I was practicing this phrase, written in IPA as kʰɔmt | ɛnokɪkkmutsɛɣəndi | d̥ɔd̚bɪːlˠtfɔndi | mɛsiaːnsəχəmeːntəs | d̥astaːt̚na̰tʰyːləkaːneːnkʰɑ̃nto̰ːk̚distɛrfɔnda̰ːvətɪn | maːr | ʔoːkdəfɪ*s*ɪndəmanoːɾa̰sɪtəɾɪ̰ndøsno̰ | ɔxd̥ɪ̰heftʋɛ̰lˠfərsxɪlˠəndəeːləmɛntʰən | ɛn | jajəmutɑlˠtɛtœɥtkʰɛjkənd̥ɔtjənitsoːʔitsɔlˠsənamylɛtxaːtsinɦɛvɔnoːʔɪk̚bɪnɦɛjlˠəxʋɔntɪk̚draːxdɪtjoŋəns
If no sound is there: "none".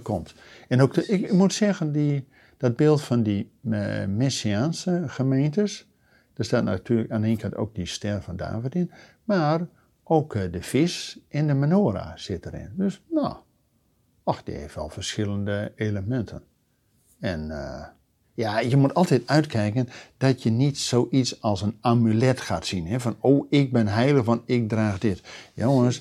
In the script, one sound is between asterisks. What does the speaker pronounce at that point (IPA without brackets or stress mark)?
s